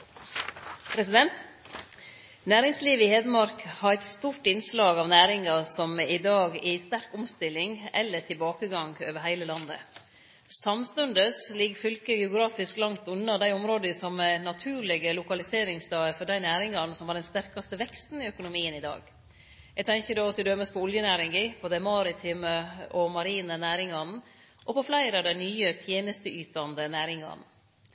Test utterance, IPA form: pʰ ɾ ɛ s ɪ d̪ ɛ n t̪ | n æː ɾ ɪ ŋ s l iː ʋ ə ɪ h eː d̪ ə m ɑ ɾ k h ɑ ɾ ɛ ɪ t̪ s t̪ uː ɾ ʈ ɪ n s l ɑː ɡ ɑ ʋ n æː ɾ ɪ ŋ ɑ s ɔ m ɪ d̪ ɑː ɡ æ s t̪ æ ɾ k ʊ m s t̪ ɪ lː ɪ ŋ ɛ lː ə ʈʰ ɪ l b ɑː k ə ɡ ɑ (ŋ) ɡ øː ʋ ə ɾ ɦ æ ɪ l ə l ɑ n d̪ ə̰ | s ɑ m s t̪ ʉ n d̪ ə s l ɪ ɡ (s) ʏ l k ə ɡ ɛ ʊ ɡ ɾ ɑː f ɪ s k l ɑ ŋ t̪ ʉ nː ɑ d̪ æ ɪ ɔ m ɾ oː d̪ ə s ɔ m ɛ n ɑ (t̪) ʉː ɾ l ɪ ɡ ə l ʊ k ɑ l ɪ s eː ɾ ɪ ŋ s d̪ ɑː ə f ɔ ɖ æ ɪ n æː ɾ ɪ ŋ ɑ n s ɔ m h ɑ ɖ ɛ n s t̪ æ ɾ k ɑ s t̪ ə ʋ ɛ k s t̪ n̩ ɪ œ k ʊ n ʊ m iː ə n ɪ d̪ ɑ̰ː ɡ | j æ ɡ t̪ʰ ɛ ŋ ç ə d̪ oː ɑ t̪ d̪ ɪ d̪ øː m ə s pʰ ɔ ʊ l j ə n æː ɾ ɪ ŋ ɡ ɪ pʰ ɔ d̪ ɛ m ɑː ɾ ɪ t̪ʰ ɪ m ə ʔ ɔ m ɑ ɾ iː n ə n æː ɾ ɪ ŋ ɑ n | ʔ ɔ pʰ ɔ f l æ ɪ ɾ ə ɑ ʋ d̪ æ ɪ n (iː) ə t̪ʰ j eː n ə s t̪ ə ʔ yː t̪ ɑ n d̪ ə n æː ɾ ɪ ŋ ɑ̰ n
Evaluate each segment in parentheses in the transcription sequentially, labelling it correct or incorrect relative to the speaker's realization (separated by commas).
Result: correct, incorrect, incorrect, incorrect